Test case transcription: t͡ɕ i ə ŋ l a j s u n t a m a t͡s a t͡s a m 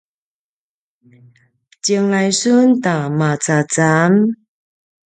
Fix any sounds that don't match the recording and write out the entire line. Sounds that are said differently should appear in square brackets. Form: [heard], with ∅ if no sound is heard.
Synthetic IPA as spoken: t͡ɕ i ə ŋ l a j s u n t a m a t͡s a t͡s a m